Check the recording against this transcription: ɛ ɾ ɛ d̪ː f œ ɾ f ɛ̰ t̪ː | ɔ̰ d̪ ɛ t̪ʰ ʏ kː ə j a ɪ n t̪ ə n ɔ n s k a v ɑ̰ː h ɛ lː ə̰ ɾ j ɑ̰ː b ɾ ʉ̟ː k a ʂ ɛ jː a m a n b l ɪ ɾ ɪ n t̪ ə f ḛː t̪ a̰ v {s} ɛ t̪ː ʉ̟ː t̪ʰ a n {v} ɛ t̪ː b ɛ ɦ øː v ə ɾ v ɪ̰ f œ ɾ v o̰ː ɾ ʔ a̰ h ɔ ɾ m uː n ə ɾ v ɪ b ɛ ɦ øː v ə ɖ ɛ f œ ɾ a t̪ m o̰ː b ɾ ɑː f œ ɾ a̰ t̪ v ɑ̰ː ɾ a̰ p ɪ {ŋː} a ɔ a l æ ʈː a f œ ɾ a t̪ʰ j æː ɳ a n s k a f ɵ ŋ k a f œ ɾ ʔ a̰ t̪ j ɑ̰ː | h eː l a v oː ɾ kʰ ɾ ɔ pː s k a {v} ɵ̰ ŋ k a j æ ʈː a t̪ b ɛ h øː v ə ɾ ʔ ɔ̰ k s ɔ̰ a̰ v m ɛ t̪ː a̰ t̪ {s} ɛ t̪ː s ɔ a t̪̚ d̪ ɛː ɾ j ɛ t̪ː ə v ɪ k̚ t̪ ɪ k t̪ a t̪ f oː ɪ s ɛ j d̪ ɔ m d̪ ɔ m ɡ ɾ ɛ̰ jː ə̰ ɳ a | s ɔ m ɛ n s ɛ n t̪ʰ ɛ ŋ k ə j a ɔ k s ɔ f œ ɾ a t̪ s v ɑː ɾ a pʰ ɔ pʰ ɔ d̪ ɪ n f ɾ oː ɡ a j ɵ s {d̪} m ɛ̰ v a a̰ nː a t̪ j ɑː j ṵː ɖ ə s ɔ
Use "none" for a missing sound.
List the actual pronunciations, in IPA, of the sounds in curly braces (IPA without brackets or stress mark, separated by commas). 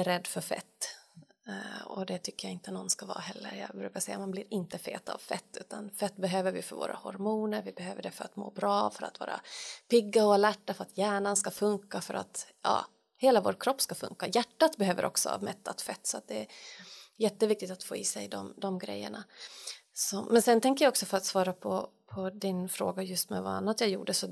f, f, ɡː, f, f, t̪